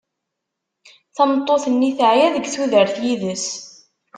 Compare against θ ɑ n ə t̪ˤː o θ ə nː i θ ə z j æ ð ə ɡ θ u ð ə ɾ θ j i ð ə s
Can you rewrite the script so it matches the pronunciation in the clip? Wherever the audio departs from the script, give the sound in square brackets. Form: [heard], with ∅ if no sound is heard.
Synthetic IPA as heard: θ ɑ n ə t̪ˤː o θ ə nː i θ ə [ʕ] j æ ð ə ɡ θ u ð ə ɾ θ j i ð ə s